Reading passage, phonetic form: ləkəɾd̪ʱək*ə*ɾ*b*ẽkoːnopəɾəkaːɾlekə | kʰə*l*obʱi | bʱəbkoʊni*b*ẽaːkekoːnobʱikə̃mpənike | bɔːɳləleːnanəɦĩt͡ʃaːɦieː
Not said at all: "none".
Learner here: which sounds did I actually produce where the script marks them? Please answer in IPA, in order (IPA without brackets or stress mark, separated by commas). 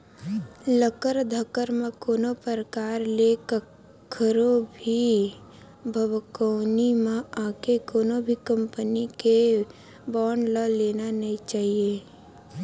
ə, m, ɾ, m